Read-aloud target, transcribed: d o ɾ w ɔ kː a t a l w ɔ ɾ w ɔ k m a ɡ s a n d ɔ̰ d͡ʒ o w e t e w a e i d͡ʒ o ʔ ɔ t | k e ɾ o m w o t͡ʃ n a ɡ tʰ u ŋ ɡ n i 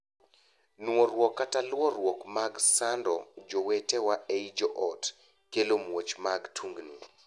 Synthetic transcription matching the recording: n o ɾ w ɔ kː a t a l w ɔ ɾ w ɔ k m a ɡ s a n d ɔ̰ d͡ʒ o w e t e w a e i d͡ʒ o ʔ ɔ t | k e l o m w o t͡ʃ m a ɡ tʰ u ŋ ɡ n i